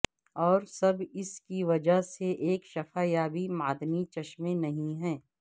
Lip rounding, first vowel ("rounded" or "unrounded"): rounded